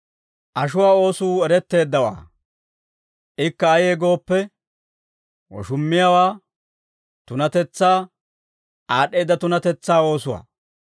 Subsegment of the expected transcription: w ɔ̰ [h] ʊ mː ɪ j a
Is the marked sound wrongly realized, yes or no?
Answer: yes